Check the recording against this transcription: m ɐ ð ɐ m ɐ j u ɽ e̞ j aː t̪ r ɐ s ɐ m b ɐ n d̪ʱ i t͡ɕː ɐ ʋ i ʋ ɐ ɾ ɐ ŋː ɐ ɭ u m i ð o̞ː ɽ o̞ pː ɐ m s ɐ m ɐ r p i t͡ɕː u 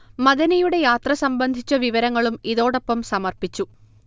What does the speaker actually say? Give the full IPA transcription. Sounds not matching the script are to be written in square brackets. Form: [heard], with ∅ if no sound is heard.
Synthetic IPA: m ɐ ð ɐ [n] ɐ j u ɽ e̞ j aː t̪ r ɐ s ɐ m b ɐ n d̪ʱ i t͡ɕː ɐ ʋ i ʋ ɐ ɾ ɐ ŋː ɐ ɭ u m i ð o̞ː ɽ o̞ pː ɐ m s ɐ m ɐ r p i t͡ɕː u

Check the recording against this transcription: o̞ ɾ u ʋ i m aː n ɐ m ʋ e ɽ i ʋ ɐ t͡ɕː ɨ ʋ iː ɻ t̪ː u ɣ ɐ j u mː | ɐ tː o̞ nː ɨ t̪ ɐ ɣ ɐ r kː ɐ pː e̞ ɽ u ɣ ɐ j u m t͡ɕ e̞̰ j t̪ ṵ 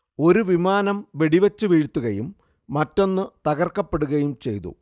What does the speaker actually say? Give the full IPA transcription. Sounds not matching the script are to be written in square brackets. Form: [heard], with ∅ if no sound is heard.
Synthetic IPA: o̞ ɾ u ʋ i m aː n ɐ m ʋ e ɽ i ʋ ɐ t͡ɕː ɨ ʋ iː ɻ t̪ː u ɣ ɐ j u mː | ɐ tː o̞ nː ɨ t̪ ɐ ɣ ɐ r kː ɐ pː e̞ ɽ u ɣ ɐ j u m t͡ɕ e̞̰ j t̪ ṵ

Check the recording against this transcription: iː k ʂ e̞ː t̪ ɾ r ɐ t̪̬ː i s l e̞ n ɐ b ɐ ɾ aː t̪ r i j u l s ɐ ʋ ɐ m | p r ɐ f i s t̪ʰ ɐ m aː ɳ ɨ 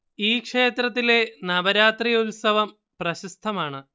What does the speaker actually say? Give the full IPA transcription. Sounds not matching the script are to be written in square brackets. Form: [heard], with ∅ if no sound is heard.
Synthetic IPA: iː k ʂ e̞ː t̪ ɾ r ɐ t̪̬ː i [∅] l e̞ n ɐ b ɐ ɾ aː t̪ r i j u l s ɐ ʋ ɐ m | p r ɐ [ɕ] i s t̪ʰ ɐ m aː ɳ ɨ

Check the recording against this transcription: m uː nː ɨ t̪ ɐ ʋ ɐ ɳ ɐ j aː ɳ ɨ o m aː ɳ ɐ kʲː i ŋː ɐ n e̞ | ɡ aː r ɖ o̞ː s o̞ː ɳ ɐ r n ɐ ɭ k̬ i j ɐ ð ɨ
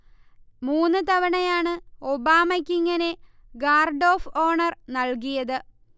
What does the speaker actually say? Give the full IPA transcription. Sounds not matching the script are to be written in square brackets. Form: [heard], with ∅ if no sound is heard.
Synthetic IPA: m uː nː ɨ t̪ ɐ ʋ ɐ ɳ ɐ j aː ɳ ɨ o [b] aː [m] ɐ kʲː i ŋː ɐ n e̞ | ɡ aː r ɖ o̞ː [f] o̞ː ɳ ɐ r n ɐ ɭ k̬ i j ɐ ð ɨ

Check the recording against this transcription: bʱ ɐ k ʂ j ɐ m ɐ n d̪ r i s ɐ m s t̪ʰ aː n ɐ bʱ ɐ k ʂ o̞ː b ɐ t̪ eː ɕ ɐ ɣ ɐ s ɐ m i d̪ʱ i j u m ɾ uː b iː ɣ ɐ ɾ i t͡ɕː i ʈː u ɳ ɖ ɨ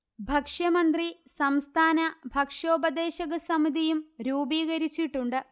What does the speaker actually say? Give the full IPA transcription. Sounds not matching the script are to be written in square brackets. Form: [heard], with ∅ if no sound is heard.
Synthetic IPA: bʱ ɐ k ʂ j ɐ m ɐ n d̪ r i s ɐ m s t̪ʰ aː n ɐ bʱ ɐ k ʂ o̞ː b ɐ [d̪] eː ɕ ɐ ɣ ɐ s ɐ m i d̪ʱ i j u m ɾ uː b iː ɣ ɐ ɾ i t͡ɕː i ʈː u ɳ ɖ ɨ

